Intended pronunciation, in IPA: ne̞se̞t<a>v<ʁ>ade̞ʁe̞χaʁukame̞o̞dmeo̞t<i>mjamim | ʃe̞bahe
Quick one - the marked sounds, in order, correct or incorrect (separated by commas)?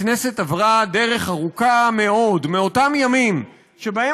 correct, correct, incorrect